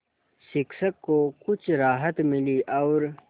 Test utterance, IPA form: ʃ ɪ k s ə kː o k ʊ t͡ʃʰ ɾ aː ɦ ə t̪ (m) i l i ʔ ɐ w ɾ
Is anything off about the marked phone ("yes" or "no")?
no